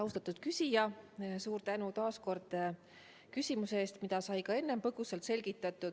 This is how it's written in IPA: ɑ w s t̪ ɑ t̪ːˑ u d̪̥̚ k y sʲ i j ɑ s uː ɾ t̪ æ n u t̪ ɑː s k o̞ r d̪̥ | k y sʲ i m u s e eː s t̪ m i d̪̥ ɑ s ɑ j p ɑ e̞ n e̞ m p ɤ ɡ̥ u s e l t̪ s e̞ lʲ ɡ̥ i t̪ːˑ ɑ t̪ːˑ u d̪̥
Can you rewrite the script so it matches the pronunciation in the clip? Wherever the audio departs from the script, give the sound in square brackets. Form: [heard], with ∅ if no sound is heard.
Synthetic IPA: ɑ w s t̪ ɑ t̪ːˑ u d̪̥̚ k y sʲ i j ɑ s uː ɾ t̪ æ n u t̪ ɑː s k o̞ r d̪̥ | k y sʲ i m u s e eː s t̪ m i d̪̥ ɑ s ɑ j [k] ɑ e̞ [nː] e̞ m p ɤ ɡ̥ u s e l t̪ s e̞ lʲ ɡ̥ i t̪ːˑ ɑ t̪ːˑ u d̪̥